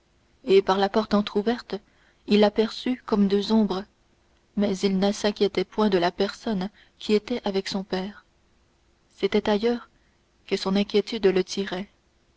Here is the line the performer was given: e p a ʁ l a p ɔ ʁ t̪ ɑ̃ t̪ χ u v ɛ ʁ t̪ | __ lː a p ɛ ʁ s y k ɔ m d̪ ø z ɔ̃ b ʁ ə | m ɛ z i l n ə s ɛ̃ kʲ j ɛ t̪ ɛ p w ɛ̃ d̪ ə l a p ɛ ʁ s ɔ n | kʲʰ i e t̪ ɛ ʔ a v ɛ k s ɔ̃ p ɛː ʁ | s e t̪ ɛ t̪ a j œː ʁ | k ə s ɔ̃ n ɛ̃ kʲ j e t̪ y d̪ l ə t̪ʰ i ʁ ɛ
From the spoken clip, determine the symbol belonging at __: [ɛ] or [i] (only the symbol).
i